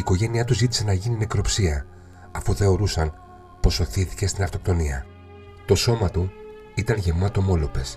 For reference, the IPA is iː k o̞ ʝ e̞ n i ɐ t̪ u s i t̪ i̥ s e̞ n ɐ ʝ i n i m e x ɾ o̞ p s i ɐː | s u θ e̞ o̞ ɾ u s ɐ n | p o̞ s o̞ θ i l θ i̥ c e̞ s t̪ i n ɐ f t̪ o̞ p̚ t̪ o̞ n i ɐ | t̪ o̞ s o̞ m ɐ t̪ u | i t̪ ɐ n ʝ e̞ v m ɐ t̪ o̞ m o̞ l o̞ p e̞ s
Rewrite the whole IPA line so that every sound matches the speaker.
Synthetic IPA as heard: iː k o̞ ʝ e̞ n i ɐ t̪ u z i t̪ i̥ s e̞ n ɐ ʝ i n i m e k ɾ o̞ p s i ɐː | f u θ e̞ o̞ ɾ u s ɐ n | p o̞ s o̞ θ i θ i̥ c e̞ s t̪ i n ɐ f t̪ o̞ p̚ t̪ o̞ n i ɐ | t̪ o̞ s o̞ m ɐ t̪ u | i t̪ ɐ n ʝ e̞ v m ɐ t̪ o̞ m o̞ l o̞ p e̞ s